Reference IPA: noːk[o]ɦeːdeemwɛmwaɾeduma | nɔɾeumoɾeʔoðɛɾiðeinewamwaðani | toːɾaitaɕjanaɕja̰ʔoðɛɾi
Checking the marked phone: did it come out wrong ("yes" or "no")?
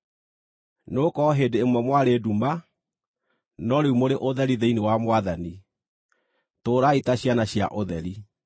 yes